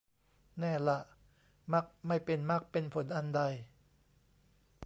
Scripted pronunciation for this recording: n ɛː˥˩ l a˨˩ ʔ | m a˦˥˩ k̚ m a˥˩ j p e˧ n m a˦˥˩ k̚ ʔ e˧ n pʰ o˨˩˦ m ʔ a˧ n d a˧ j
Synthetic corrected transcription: n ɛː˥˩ l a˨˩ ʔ | m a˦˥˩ k̚ m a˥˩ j p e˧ n m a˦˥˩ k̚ p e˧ n pʰ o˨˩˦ n ʔ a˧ n d a˧ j